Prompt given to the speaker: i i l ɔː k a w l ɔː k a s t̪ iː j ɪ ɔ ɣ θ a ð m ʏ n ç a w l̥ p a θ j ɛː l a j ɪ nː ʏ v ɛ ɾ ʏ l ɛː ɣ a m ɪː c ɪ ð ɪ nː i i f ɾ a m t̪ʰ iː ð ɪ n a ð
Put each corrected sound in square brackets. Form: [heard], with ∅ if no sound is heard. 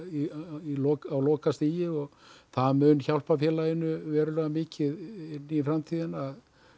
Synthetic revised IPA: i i l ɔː k a w l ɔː k a s t̪ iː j ɪ ɔ ɣ θ a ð m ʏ n ç a w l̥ p a [f] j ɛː l a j ɪ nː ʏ v [ɛː] ɾ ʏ l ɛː ɣ a m ɪː c ɪ ð ɪ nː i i f ɾ a m t̪ʰ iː ð ɪ n a ð